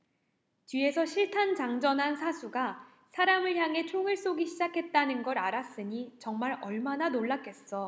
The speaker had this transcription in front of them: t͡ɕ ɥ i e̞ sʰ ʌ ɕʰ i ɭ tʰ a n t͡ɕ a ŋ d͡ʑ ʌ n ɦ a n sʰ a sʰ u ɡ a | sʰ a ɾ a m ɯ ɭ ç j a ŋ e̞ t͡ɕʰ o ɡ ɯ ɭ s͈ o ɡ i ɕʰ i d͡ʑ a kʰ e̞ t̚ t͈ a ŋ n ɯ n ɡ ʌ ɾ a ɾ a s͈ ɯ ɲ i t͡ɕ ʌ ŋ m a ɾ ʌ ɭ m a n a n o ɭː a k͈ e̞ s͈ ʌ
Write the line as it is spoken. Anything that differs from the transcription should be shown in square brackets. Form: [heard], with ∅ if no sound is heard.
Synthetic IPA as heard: t͡ɕ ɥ i e̞ sʰ ʌ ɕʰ i ɭ tʰ a n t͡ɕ a ŋ d͡ʑ ʌ n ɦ a n sʰ a sʰ u ɡ a | sʰ a ɾ a m ɯ ɭ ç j a ŋ e̞ t͡ɕʰ o [ŋ] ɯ ɭ s͈ o ɡ i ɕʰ i d͡ʑ a kʰ e̞ t̚ t͈ a [∅] n ɯ n ɡ ʌ ɾ a ɾ a s͈ ɯ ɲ i t͡ɕ ʌ ŋ m a ɾ ʌ ɭ m a n a n o ɭː a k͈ e̞ s͈ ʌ